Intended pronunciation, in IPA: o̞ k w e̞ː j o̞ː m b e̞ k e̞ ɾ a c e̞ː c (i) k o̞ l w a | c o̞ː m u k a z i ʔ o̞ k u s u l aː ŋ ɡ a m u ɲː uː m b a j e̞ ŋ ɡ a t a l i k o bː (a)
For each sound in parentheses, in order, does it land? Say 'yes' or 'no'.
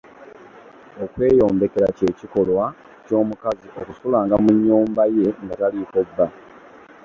yes, yes

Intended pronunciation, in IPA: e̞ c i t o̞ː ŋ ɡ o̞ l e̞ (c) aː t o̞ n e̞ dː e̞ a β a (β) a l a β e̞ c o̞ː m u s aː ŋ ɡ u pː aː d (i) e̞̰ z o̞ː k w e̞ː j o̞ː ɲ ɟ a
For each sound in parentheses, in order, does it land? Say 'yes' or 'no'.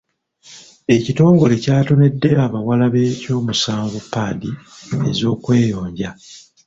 yes, no, yes

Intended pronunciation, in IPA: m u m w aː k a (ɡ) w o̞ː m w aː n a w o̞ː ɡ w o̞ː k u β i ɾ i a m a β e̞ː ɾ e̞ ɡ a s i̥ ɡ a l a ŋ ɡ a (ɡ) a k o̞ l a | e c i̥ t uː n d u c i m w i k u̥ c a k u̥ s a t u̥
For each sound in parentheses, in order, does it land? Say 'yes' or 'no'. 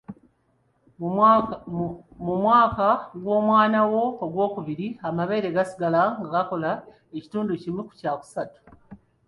yes, yes

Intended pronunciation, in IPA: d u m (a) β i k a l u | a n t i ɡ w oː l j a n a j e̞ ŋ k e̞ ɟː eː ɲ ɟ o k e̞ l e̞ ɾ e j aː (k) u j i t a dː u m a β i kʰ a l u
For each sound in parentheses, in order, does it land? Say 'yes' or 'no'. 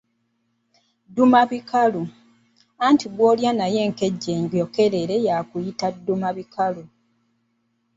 yes, yes

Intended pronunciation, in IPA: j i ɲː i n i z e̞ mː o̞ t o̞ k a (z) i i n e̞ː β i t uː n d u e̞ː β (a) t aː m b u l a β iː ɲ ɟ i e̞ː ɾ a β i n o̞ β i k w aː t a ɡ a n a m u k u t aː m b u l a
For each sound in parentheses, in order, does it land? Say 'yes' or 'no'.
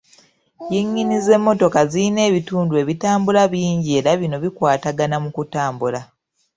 yes, no

